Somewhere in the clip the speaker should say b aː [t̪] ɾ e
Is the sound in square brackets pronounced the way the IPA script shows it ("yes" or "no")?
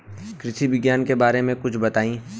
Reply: no